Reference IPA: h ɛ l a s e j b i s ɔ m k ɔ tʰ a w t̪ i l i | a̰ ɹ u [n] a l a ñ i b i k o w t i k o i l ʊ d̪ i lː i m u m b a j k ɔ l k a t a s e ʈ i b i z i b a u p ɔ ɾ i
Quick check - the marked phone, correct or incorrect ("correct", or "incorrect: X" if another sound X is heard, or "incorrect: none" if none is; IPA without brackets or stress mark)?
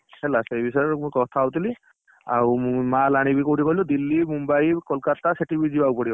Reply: incorrect: m